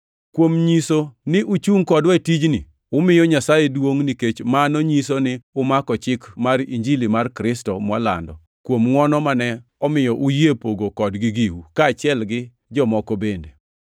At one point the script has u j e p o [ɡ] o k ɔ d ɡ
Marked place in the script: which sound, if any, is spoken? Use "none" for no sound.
ɡ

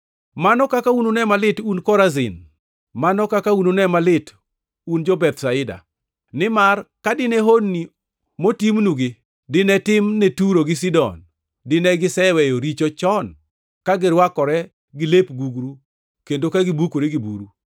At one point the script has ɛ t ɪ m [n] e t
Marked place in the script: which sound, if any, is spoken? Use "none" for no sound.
n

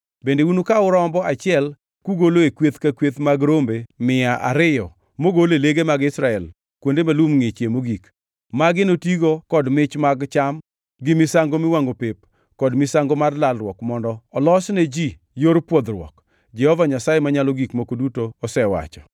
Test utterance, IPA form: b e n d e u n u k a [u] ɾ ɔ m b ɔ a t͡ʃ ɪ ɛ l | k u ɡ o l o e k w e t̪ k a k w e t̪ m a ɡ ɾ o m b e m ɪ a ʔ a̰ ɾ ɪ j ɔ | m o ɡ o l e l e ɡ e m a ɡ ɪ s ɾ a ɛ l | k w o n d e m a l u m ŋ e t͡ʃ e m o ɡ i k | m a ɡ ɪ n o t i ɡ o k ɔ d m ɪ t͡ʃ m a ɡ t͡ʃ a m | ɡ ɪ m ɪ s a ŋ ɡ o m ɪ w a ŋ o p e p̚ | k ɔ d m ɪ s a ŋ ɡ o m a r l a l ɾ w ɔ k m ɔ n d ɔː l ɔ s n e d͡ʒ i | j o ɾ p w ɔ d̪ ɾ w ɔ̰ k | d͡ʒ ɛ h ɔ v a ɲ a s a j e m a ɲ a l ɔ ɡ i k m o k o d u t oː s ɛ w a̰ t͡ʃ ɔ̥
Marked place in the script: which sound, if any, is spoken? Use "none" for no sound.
ʊ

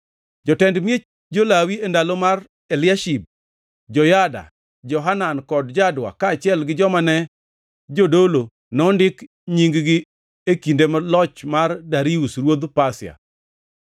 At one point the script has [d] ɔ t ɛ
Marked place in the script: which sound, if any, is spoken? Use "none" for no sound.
d͡ʒ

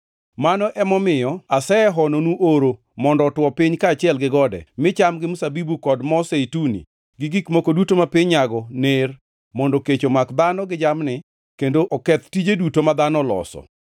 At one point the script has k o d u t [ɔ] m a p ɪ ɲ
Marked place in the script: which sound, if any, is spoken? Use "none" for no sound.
o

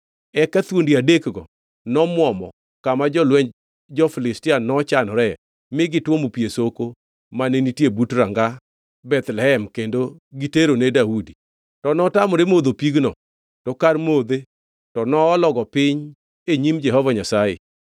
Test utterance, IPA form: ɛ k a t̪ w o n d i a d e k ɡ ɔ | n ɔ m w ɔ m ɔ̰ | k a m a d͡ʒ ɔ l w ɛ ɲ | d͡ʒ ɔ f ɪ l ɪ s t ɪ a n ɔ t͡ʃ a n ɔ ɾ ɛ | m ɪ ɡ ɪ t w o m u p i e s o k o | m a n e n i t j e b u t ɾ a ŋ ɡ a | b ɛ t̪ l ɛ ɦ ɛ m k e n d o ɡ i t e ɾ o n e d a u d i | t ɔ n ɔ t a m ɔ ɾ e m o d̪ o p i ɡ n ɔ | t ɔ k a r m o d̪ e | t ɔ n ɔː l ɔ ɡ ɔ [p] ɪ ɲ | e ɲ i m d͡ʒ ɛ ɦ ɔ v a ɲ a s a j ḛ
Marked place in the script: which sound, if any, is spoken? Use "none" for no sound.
p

